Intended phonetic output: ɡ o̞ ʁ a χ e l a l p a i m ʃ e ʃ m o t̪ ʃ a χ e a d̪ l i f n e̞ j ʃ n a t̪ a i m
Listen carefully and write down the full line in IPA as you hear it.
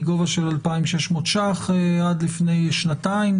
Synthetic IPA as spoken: ɡ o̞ v a ʃ e l a l p a i m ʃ e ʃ m o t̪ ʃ a χ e a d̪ l i f n e̞ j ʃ n a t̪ a i m